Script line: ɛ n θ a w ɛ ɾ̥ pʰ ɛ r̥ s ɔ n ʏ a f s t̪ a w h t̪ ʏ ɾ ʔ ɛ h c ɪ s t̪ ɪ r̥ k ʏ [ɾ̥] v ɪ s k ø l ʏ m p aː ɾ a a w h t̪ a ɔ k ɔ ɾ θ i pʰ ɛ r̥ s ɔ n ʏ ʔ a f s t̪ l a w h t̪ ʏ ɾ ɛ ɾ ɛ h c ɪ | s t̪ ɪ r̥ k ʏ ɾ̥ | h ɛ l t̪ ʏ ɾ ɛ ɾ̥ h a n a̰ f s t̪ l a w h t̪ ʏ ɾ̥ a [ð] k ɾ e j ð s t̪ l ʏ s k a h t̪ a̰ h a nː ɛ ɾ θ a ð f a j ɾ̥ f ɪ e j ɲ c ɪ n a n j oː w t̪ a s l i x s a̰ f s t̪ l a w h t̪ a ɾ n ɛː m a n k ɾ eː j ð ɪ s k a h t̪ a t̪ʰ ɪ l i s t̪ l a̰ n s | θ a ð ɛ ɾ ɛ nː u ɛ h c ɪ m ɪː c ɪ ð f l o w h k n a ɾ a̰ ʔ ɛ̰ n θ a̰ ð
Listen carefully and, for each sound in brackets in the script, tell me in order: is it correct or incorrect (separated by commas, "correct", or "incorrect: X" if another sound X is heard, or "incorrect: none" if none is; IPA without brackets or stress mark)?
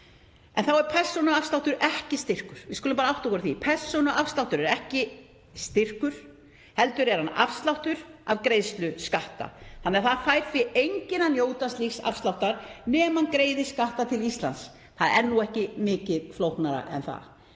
correct, incorrect: v